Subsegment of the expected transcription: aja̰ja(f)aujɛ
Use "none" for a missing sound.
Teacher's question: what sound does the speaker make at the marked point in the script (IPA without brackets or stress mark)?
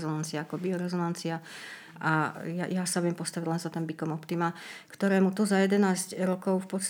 s